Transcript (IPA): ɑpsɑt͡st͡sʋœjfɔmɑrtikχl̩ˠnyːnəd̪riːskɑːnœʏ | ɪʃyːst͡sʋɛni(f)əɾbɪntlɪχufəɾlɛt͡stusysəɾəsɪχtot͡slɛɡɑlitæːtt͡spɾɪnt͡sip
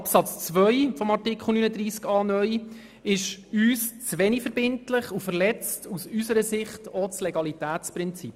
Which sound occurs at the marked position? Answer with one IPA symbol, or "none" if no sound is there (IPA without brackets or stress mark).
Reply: f